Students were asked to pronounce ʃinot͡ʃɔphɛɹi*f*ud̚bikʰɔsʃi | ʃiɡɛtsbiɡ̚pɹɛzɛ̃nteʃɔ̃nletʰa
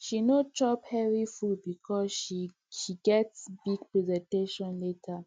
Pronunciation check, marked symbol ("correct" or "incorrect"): correct